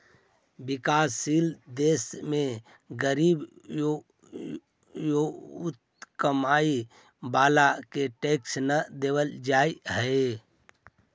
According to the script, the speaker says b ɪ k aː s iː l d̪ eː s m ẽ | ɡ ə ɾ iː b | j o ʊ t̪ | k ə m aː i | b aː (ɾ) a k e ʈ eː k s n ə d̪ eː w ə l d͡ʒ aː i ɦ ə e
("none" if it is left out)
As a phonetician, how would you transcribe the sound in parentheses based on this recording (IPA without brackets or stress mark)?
l